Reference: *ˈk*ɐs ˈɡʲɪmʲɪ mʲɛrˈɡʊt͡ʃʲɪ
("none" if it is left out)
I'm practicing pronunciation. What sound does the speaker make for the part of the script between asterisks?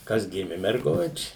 k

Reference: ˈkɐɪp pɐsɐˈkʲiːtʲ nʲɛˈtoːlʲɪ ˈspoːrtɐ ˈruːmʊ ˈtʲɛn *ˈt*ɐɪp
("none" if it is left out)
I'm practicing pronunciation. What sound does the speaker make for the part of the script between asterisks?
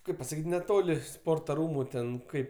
k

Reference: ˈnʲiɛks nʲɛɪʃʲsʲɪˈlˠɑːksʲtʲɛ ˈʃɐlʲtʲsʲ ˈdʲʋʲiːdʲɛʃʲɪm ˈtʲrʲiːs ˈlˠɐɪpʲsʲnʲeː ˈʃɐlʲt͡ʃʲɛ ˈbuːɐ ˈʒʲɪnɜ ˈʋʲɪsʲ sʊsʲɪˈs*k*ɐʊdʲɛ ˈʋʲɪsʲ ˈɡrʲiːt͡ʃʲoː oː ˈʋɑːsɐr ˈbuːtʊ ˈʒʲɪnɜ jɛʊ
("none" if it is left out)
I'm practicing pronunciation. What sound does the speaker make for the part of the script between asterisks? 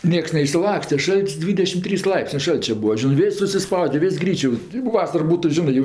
p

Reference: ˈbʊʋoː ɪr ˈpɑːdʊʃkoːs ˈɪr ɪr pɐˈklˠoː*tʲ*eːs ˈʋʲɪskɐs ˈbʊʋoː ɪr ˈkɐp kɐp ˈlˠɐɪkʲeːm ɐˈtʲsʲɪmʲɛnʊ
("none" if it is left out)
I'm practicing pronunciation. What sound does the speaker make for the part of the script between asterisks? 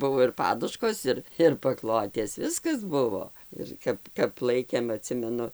tʲ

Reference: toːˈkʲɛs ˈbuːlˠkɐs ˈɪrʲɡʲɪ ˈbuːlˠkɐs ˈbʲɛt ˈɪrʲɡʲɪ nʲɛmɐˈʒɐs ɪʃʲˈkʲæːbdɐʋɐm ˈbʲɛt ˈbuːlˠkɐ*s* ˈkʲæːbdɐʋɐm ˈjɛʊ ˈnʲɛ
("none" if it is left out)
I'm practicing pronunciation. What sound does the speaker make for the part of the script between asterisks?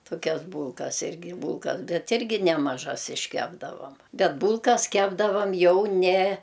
s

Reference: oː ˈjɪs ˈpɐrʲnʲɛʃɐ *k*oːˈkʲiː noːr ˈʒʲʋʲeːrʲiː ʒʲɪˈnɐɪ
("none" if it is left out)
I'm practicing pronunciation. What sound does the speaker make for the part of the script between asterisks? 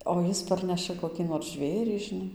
k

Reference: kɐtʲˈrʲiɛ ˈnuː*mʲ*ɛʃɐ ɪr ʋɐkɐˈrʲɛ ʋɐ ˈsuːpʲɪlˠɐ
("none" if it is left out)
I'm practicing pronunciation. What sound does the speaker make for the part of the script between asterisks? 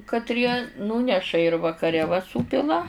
nʲ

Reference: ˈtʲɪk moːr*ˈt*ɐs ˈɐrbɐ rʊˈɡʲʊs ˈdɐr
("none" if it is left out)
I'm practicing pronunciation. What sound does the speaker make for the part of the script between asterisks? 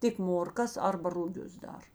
k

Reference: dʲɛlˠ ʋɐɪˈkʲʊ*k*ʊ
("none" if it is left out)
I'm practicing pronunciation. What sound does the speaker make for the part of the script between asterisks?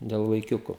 k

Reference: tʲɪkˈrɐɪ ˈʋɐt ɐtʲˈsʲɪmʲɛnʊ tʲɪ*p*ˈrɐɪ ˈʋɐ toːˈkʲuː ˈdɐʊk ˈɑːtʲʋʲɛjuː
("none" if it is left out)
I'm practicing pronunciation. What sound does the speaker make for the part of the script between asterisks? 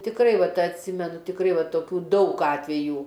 k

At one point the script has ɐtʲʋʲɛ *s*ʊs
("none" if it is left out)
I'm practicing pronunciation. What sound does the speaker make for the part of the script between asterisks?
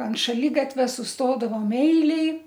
s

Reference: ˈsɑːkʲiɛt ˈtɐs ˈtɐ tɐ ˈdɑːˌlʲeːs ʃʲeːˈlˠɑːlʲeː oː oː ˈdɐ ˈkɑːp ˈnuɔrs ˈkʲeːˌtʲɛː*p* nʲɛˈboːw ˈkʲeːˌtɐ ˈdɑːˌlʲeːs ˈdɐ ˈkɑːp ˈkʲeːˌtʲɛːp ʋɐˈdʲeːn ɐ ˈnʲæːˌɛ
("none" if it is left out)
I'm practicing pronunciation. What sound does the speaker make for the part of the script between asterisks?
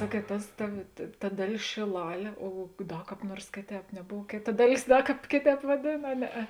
p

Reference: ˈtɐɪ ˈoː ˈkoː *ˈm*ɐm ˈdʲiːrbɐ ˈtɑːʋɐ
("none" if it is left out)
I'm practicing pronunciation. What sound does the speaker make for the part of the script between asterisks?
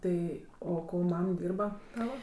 m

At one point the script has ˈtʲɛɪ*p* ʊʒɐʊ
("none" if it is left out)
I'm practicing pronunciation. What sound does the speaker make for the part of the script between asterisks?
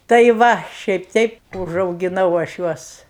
p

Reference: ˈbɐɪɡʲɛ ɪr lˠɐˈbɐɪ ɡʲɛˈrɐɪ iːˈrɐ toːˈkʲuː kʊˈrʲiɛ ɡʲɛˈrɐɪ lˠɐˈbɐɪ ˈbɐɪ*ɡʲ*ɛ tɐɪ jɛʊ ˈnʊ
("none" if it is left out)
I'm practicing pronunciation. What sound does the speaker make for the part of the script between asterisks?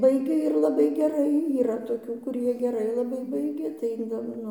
ɡʲ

